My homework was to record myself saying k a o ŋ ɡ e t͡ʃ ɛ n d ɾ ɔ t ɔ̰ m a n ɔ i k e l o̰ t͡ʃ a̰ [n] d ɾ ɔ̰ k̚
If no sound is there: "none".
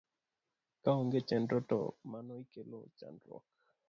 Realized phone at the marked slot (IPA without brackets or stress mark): n